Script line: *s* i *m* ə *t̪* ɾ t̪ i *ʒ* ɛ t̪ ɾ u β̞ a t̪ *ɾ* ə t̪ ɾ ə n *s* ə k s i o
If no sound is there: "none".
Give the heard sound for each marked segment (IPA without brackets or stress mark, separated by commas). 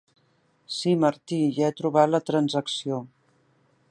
s, m, none, ʒ, l, z